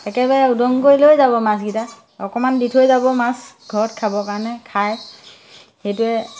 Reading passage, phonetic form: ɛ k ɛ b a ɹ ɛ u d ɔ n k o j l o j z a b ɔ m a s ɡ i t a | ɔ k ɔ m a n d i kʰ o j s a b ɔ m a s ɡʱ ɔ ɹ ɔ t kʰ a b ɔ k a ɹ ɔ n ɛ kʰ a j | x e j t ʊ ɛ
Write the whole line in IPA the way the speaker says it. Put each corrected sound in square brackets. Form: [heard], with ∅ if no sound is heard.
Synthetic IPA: ɛ k ɛ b a ɹ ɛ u d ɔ [ŋ] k o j l o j z a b ɔ m a s ɡ i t a | ɔ k ɔ m a n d i [tʰ] o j [z] a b ɔ m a s ɡʱ ɔ ɹ ɔ t kʰ a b ɔ k a ɹ ɔ n ɛ kʰ a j | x e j t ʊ ɛ